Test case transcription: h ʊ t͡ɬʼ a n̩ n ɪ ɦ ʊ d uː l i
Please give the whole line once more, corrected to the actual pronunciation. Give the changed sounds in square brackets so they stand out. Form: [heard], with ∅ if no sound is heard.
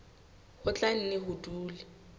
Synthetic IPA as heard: h ʊ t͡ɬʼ a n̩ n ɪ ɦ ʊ d uː l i

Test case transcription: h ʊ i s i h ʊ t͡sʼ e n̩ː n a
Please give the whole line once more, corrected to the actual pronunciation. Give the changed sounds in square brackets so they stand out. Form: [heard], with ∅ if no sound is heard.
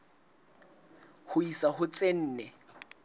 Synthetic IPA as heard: h ʊ i s [a] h ʊ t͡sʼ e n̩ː n [ɛ]

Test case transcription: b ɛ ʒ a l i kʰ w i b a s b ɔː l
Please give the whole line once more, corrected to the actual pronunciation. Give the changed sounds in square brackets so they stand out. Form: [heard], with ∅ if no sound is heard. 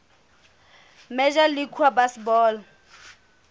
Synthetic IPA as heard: [m] ɛ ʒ a l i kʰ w [a] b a s b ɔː l

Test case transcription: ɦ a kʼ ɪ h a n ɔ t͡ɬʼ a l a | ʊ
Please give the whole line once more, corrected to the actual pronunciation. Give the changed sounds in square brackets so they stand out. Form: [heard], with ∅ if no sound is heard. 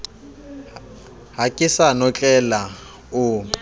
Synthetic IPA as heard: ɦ a kʼ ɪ [s] a n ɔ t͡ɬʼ [ɛ] l a | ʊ

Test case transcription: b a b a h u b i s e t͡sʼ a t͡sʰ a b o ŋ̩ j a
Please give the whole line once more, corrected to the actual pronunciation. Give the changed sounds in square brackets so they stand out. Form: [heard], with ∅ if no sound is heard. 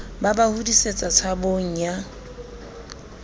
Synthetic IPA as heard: b a b a h u [d] i s e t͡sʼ a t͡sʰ a b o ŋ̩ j a

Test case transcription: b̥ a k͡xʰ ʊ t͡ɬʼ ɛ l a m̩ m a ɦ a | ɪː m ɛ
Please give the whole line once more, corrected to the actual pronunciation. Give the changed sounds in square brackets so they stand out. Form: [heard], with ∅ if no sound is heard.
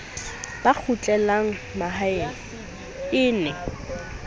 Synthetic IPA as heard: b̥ a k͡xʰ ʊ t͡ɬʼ ɛ l a [ŋ̩] m a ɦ a | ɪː [n] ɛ

